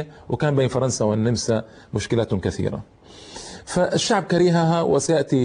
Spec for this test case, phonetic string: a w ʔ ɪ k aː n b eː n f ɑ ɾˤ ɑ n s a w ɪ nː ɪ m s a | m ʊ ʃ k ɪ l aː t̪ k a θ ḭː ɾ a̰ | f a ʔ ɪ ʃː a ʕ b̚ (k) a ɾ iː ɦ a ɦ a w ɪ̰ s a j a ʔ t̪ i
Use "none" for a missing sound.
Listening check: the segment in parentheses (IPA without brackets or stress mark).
k